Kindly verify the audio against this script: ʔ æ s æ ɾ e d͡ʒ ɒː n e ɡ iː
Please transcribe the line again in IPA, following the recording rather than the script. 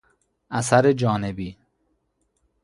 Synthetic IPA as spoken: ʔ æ s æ ɾ e d͡ʒ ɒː n e b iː

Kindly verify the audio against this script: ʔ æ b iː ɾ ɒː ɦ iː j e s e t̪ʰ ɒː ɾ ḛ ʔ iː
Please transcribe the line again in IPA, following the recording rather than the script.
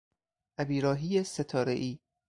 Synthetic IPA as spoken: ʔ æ b iː ɾ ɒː ɦ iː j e s e t̪ʰ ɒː ɾ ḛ ʔ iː

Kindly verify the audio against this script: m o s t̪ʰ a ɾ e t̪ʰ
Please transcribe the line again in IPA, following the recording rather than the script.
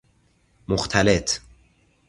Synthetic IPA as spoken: m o x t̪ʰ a l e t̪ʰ

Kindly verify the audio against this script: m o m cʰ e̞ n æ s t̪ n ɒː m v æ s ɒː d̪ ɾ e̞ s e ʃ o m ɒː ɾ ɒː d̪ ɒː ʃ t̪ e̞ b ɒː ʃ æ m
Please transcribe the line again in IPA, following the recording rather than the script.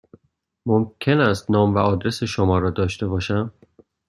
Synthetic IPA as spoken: m o m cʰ e̞ n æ s t̪ n ɒː m v æ ɒː d̪ ɾ e̞ s e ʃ o m ɒː ɾ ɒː d̪ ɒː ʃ t̪ e̞ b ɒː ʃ æ m

